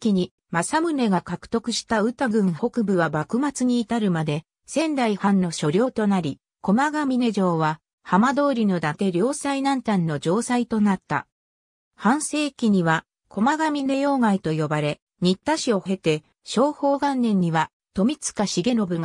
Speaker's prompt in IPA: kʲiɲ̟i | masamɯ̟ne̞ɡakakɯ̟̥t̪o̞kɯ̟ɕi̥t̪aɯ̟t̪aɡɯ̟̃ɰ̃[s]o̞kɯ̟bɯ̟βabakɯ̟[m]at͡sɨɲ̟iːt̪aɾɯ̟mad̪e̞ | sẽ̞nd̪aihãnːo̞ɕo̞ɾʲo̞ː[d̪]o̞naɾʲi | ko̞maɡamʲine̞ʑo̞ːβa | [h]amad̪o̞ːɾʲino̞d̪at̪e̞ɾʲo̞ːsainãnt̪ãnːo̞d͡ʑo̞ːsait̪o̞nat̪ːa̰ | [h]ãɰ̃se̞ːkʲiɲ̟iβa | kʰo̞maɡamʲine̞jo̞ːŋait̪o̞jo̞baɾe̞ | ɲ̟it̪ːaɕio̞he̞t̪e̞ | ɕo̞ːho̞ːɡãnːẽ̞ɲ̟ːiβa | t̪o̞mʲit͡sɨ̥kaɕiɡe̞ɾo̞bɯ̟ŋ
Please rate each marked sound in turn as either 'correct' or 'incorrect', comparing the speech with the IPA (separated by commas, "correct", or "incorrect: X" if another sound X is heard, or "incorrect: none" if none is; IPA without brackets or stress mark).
incorrect: h, correct, incorrect: t̪, correct, correct